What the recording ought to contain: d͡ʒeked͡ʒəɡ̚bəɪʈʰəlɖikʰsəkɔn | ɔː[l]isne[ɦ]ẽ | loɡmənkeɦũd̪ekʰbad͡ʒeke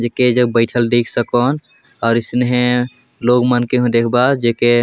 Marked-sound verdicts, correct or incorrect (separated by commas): incorrect, correct